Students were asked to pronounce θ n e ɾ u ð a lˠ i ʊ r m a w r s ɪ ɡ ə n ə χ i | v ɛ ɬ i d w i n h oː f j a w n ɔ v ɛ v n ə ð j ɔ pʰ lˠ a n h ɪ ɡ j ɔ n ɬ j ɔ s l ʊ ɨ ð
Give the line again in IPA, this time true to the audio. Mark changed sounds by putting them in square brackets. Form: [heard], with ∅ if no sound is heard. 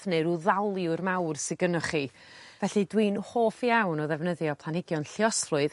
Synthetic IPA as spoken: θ n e ɾ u ð a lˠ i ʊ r m a w r s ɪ ɡ ə n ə χ i | v ɛ ɬ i d w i n h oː f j a w n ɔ [ð] ɛ v n ə ð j ɔ pʰ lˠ a n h ɪ ɡ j ɔ n ɬ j ɔ s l ʊ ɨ ð